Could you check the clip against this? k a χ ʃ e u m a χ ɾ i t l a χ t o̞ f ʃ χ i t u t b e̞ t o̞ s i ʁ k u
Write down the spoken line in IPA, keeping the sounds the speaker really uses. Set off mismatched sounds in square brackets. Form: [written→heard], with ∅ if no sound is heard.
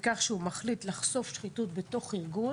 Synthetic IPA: k a χ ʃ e u m a χ [ɾ→l] i t l a χ [t→s] o̞ f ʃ χ i t u t b e̞ t o̞ [s→χ] i ʁ [k→ɡ] u